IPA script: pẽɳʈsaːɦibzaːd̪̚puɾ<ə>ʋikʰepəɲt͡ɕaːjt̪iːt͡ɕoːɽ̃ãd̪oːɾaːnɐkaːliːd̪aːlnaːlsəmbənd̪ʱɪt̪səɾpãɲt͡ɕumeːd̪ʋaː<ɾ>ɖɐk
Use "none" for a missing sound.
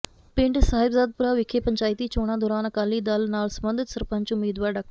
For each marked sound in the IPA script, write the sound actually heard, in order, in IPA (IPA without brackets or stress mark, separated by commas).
a, ɾ